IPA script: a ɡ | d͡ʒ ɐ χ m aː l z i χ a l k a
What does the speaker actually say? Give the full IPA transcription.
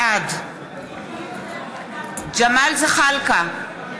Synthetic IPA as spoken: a d | d͡ʒ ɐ m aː l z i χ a l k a